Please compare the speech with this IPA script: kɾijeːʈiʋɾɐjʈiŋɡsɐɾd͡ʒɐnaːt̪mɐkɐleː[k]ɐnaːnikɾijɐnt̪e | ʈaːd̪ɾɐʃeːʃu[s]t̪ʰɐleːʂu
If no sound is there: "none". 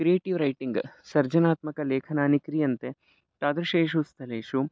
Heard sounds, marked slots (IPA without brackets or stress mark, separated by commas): kʰ, s